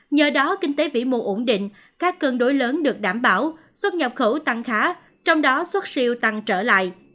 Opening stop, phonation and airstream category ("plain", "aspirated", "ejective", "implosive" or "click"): implosive